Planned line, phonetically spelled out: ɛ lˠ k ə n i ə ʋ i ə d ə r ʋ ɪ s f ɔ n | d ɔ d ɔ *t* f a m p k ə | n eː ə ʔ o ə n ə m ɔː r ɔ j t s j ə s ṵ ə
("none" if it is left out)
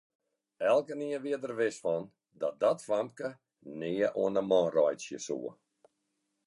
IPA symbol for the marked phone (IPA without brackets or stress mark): t